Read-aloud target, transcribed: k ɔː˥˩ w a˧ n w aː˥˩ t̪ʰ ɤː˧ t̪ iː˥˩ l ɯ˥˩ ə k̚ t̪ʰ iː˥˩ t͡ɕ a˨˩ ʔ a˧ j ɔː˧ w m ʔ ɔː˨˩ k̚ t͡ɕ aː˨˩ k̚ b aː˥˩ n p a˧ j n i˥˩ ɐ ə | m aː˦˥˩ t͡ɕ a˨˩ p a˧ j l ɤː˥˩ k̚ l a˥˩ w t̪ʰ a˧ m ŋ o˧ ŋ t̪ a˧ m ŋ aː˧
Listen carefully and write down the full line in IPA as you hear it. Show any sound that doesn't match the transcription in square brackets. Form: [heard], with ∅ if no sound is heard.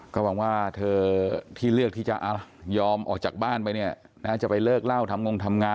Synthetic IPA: k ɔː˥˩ w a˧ [ŋ] w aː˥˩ t̪ʰ ɤː˧ [t̪ʰ] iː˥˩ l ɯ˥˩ ə k̚ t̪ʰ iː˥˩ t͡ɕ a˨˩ ʔ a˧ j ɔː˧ [∅] m ʔ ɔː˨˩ k̚ t͡ɕ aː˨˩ k̚ b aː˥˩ n p a˧ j n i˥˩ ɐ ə | [n] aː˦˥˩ t͡ɕ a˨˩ p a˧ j l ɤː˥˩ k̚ l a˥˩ w t̪ʰ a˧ m ŋ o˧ ŋ [t̪ʰ] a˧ m ŋ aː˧